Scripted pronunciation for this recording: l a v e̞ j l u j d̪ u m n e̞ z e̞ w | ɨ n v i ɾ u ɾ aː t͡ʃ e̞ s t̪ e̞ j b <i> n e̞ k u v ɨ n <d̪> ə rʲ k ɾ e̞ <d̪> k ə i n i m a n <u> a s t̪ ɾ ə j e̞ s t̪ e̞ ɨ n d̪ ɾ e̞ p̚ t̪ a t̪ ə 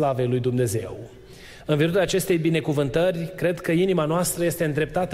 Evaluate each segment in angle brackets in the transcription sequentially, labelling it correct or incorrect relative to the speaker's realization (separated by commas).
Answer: correct, incorrect, correct, incorrect